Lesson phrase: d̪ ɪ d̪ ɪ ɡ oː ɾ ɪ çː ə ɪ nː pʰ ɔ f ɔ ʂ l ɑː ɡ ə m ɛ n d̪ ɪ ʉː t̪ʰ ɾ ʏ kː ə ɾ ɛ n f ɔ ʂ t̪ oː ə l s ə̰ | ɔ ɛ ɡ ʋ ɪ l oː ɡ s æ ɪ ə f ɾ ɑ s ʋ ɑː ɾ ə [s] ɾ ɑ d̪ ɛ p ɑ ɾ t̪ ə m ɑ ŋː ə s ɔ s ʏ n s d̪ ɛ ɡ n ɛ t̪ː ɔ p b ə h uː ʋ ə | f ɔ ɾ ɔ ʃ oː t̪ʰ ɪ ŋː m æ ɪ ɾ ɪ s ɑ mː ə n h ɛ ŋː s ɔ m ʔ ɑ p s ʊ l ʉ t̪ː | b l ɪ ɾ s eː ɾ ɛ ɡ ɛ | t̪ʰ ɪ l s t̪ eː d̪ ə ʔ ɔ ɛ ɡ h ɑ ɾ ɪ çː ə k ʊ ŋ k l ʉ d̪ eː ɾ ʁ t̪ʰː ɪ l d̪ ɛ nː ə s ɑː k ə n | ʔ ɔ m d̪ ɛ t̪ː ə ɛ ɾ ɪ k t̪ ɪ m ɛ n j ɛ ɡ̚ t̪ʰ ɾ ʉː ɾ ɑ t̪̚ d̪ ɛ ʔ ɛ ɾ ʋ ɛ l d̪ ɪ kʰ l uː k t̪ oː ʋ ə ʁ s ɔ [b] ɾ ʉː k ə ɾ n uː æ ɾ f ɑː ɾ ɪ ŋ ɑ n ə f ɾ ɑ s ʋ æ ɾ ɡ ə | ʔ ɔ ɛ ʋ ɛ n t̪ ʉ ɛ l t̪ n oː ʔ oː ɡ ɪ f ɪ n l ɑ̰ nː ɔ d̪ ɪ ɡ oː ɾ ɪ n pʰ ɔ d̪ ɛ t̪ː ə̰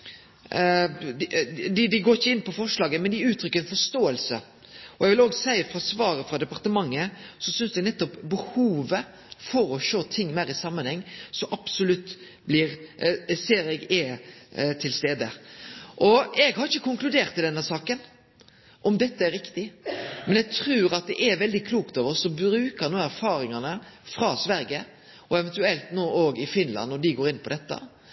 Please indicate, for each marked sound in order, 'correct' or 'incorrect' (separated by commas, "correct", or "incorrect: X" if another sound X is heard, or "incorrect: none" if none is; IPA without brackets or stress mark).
incorrect: f, correct